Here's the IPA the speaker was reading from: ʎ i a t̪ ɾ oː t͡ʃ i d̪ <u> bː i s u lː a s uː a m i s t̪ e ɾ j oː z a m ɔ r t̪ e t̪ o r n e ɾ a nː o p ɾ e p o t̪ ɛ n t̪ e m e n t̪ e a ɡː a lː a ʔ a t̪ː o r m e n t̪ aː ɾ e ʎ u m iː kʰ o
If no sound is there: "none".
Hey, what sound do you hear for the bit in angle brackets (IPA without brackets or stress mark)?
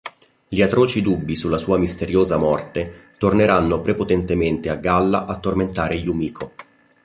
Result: u